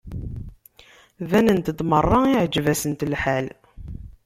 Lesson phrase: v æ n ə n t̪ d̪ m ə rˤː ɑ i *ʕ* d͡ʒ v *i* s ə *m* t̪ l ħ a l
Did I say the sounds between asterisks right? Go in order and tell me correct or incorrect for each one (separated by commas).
correct, incorrect, incorrect